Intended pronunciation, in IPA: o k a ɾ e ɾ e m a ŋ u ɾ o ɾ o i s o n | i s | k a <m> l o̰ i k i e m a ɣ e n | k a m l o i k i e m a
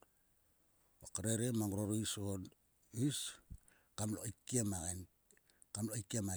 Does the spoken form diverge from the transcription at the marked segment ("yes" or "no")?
no